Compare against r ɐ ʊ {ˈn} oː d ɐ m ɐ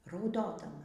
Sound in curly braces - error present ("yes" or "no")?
yes